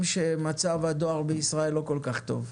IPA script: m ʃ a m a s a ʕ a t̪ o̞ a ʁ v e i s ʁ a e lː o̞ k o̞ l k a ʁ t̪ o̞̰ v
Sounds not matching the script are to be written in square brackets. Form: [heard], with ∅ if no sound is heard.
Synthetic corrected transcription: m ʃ [e] m a [t͡s] a [v] a [d̪] o̞ a ʁ [b] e i s ʁ a e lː o̞ k o̞ l k a [χ] t̪ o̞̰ v